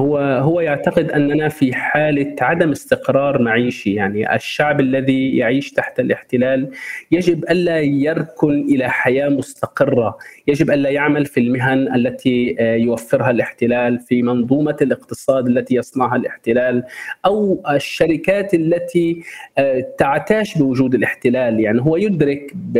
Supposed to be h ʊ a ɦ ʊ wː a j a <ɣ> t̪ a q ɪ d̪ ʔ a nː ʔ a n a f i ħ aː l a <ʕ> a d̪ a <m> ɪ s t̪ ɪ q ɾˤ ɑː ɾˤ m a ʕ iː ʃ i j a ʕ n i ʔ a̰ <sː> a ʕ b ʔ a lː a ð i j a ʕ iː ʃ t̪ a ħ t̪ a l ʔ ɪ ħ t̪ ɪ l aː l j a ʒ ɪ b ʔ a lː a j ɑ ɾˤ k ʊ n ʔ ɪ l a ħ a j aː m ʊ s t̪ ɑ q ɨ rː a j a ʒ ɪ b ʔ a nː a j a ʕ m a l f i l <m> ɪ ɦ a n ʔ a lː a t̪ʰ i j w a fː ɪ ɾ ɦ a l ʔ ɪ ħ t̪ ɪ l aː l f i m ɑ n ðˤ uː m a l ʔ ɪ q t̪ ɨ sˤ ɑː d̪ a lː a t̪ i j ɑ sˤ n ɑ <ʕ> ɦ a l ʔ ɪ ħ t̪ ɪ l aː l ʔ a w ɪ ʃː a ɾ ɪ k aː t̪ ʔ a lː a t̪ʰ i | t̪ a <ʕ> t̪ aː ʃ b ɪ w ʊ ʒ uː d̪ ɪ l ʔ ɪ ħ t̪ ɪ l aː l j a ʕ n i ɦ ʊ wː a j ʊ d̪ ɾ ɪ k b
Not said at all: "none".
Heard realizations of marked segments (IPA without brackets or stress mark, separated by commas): ʕ, ʕ, m, ʃː, m, ʕ, ʕ